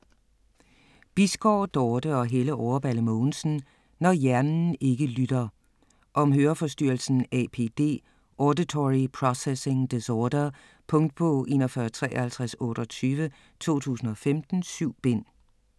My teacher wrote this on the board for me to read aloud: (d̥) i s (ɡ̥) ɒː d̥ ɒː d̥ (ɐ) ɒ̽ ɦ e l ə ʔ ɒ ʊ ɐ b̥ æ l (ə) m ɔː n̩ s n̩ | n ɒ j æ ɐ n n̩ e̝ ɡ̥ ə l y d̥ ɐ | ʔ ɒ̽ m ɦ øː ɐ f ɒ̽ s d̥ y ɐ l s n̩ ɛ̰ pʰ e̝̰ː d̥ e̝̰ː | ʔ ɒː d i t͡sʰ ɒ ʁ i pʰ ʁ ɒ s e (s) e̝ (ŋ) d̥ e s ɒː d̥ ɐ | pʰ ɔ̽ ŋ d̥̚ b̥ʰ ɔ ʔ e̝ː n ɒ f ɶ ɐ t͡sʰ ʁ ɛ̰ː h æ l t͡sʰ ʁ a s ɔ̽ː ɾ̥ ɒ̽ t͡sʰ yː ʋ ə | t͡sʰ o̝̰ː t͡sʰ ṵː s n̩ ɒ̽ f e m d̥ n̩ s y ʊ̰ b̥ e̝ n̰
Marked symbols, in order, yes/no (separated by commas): no, yes, no, yes, yes, yes